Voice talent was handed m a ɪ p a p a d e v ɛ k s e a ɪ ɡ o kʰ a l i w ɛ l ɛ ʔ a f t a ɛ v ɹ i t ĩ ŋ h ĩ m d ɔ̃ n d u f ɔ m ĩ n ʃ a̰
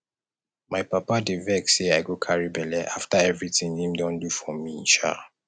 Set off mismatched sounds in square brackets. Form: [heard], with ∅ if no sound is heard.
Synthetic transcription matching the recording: m a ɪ p a p a d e v ɛ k s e a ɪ ɡ o kʰ a [ɹ] i [b] ɛ l ɛ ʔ a f t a ɛ v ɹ i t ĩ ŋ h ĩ m d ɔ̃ n d u f ɔ m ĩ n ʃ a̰

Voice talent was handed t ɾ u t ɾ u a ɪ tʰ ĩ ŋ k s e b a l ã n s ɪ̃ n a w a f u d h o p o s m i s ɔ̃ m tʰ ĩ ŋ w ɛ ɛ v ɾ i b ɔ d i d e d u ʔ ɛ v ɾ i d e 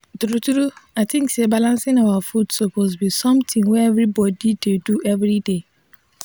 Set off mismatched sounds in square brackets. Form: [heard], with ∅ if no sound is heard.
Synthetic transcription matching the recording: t ɾ u t ɾ u a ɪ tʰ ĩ ŋ k s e b a l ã n s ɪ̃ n a w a f u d [s] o p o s [b] i s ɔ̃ m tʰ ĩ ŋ w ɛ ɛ v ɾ i b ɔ d i d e d u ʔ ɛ v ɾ i d e

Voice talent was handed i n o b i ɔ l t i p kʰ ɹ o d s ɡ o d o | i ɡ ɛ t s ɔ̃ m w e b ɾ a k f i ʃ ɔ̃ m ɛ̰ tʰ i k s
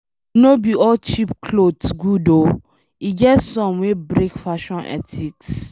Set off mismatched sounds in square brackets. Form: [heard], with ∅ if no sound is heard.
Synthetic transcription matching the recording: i n o b i ɔ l [t͡ʃ] i p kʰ [l] o d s ɡ [u] d o | i ɡ ɛ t s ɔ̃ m w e b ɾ [e] k f [a] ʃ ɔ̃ [n] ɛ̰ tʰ i k s

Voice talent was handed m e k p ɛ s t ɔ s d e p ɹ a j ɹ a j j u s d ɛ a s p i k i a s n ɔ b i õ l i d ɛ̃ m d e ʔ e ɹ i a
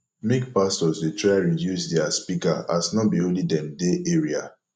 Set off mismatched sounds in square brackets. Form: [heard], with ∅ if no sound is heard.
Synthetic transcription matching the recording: m e k p [a] s t ɔ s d e [t] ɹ a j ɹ [i] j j u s d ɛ a s p i k [a] a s n ɔ b i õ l i d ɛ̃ m d e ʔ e ɹ i a

